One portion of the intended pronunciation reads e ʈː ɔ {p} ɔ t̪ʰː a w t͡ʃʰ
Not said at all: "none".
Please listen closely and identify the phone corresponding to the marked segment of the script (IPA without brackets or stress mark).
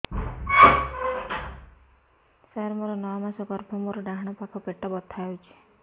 b